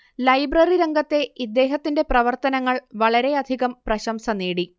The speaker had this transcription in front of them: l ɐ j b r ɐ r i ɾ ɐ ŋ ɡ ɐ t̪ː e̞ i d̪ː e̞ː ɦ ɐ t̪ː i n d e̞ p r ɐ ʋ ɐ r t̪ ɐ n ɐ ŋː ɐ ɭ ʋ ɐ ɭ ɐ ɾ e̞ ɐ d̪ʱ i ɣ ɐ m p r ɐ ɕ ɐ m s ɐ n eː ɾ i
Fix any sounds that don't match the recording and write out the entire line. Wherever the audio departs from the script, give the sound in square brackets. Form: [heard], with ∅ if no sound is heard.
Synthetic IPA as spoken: l ɐ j b r ɐ r i ɾ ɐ ŋ ɡ ɐ t̪ː e̞ i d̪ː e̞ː ɦ ɐ t̪ː i n d e̞ p r ɐ ʋ ɐ r t̪ ɐ n ɐ ŋː ɐ ɭ ʋ ɐ ɭ ɐ ɾ e̞ ɐ d̪ʱ i ɣ ɐ m p r ɐ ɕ ɐ m s ɐ n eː [ɽ] i